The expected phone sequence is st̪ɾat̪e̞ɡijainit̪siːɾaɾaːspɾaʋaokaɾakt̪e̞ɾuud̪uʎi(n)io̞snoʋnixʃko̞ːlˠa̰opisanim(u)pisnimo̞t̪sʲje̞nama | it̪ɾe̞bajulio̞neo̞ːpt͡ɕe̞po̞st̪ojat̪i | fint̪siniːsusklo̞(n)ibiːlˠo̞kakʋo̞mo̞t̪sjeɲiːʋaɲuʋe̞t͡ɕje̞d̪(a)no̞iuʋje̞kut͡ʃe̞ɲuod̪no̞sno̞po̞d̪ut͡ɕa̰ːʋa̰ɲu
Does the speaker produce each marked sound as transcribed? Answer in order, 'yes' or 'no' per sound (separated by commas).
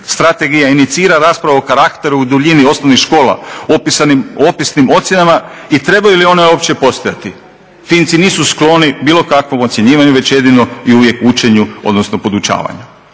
yes, no, yes, no